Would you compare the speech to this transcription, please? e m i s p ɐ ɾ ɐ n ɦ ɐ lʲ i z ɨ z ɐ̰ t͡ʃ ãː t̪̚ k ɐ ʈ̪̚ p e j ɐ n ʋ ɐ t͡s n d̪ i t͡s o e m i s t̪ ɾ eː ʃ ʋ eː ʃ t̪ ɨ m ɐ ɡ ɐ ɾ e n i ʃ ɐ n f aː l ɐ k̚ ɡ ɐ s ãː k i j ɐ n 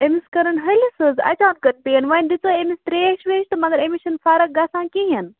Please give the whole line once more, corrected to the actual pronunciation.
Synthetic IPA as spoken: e m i s k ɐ ɾ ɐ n ɦ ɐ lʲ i s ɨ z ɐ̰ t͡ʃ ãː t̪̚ k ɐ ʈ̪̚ p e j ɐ n ʋ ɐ n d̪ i t͡s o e m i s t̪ ɾ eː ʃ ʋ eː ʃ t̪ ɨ m ɐ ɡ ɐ ɾ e m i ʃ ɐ n f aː ɾ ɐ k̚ ɡ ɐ s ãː k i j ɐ n